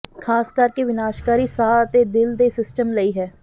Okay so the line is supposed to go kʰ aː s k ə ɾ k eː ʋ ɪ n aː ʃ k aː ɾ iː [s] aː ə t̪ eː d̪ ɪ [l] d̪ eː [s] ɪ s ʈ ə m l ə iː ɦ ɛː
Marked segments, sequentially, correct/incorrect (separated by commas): correct, correct, correct